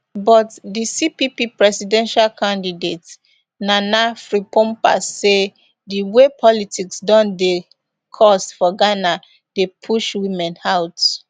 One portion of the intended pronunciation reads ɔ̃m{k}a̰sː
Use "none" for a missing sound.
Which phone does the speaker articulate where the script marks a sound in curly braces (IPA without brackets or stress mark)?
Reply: p